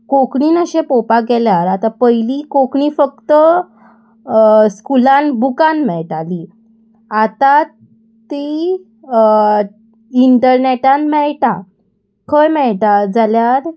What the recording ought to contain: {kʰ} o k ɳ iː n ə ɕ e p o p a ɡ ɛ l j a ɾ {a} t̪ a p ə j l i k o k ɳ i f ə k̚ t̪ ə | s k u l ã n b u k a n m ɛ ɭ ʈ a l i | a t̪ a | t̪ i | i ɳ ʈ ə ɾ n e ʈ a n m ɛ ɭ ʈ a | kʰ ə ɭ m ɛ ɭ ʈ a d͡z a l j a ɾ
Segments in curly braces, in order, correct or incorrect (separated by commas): incorrect, correct